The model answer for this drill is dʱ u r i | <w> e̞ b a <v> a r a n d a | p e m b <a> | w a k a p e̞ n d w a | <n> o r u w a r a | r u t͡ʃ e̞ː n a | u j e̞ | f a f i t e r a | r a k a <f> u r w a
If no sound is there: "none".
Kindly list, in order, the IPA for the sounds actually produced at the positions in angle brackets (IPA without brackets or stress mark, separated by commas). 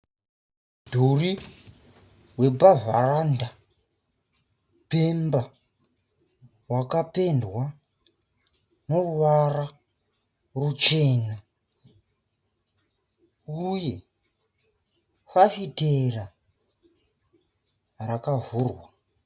w, v, a, n, v